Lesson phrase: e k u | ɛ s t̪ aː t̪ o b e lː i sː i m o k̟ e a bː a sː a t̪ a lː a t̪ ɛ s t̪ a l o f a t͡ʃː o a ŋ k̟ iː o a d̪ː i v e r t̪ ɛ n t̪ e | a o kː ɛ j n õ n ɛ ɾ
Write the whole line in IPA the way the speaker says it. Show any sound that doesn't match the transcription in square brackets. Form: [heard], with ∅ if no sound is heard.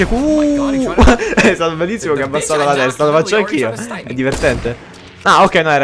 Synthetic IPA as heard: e k u | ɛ s t̪ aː t̪ o b e lː i sː i m o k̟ e a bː a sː a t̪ a [l] a t̪ ɛ s t̪ a l o f a t͡ʃː o a ŋ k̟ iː o [ɛ] d̪ː i v e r t̪ ɛ n t̪ e | a o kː ɛ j n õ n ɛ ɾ